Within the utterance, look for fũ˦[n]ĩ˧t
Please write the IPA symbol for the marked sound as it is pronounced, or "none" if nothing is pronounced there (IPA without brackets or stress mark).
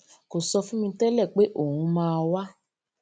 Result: m